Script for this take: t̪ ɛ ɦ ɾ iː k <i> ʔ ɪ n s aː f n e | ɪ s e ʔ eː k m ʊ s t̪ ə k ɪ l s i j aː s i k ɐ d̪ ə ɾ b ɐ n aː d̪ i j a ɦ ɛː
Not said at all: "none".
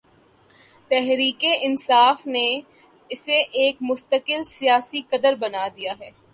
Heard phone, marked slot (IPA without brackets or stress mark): e